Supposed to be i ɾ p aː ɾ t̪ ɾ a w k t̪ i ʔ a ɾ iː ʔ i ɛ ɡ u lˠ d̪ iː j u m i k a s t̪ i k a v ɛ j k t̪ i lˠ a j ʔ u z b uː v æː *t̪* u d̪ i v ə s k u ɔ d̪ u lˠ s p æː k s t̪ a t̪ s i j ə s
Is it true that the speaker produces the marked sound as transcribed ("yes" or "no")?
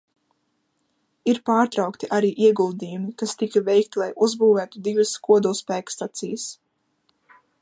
yes